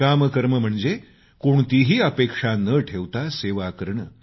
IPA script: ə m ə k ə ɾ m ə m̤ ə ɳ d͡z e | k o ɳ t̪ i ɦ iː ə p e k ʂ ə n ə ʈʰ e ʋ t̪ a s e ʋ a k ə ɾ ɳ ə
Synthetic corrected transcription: a m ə k ə ɾ m ə m̤ ə ɳ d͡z e | k o ɳ t̪ i ɦ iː ə p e k ʂ a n ə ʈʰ e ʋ t̪ a s e ʋ a k ə ɾ ɳ ə